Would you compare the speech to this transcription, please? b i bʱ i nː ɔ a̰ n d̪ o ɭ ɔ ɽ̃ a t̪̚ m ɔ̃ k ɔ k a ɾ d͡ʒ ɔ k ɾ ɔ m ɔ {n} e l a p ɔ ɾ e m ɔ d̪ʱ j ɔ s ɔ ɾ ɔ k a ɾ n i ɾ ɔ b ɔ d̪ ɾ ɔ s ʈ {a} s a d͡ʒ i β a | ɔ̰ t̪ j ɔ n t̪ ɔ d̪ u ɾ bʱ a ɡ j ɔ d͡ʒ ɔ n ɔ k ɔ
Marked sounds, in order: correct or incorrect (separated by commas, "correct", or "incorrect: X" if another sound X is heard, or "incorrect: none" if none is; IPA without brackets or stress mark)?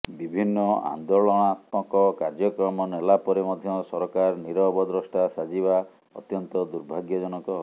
correct, correct